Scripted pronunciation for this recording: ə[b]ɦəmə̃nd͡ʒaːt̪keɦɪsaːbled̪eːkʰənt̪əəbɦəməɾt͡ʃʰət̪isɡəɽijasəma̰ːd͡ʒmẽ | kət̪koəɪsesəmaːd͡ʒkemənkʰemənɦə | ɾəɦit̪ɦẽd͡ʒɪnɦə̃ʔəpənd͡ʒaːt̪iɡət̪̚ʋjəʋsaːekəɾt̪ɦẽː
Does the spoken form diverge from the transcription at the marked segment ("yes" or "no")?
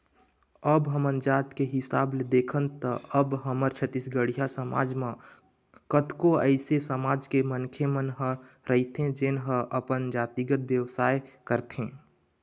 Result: no